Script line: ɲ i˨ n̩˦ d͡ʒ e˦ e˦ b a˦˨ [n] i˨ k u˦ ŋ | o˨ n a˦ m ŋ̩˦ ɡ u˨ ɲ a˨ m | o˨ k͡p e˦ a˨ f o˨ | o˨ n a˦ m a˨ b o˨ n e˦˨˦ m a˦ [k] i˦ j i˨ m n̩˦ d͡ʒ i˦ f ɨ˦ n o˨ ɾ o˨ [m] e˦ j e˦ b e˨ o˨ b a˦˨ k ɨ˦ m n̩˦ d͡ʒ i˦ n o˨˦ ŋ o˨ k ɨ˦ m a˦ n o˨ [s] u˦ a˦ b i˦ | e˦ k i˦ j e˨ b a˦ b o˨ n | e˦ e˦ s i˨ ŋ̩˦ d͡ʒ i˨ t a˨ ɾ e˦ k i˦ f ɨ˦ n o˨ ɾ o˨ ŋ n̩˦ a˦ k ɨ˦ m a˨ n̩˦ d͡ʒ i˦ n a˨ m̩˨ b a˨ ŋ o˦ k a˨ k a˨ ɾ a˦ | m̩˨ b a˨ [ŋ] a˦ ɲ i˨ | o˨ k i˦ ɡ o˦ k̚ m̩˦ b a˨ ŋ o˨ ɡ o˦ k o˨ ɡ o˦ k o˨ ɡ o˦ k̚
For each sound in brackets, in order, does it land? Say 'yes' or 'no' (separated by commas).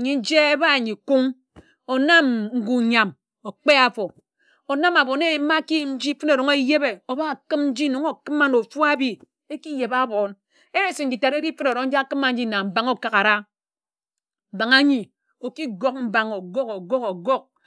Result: no, yes, no, no, yes